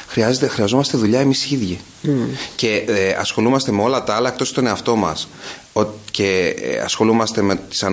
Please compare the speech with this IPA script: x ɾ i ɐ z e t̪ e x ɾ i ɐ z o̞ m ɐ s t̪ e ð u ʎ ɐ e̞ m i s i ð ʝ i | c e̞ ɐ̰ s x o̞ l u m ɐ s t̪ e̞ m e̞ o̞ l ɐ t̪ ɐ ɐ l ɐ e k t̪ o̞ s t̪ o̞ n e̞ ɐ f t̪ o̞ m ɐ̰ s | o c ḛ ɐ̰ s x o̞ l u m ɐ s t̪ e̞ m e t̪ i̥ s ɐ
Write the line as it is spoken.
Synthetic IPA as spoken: x ɾ i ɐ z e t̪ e x ɾ i ɐ z o̞ m ɐ s t̪ e ð u ʎ ɐ e̞ m i s i ð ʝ i | c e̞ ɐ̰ s x o̞ l u m ɐ s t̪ e̞ m e̞ o̞ l ɐ t̪ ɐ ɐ l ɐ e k t̪ o̞ s t̪ o̞ n e̞ ɐ f t̪ o̞ m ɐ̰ s | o c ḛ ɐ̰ s x o̞ l u m ɐ s t̪ e̞ m e t̪ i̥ s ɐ